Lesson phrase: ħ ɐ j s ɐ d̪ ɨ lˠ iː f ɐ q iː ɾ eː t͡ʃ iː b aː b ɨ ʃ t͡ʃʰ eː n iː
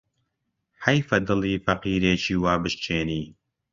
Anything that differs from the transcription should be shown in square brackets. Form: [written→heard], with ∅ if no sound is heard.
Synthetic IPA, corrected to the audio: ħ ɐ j [s→f] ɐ d̪ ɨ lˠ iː f ɐ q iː ɾ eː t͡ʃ iː [b→w] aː b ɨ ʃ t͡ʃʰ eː n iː